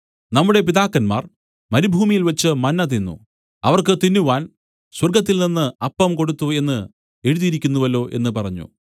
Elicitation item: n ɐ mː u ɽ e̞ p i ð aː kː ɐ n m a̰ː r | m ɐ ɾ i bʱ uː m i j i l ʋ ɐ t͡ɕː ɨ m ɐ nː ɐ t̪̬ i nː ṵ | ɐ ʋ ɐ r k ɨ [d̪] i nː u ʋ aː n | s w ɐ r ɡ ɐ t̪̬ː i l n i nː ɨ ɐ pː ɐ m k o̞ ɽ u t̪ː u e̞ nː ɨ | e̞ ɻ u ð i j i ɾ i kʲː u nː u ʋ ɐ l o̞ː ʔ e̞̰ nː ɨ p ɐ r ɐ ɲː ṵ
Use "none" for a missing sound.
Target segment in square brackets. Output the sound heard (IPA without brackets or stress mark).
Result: t̪